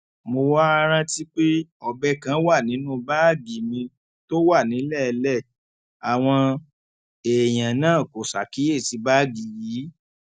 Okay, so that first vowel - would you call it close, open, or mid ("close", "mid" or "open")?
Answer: mid